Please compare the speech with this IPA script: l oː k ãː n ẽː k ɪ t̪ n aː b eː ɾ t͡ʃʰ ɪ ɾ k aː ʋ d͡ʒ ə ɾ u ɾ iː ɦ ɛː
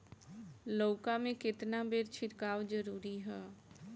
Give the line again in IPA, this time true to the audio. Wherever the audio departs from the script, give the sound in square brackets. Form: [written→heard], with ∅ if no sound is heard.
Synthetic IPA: l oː k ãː [n→m] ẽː k ɪ t̪ n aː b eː ɾ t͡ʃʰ ɪ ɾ k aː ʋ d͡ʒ ə ɾ [u→uː] ɾ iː ɦ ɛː